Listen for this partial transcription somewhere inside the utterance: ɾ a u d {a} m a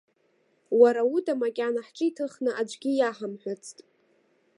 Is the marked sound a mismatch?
no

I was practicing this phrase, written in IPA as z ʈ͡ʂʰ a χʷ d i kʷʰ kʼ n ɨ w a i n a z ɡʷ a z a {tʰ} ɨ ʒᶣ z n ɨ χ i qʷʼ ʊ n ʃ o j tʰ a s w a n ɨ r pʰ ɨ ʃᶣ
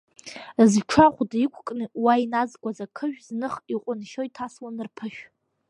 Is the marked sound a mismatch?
yes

